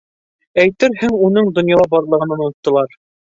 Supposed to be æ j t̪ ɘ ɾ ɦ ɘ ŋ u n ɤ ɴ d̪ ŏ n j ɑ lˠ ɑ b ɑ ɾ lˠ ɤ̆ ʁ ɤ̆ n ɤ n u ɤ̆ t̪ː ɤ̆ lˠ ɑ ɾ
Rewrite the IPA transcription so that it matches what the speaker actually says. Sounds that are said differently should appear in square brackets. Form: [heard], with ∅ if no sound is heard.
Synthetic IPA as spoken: æ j t̪ ɘ ɾ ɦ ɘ ŋ u n ɤ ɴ d̪ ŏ n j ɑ lˠ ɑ b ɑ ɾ lˠ ɤ̆ ʁ ɤ̆ n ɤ n u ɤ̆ t̪ː ɤ̆ lˠ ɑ ɾ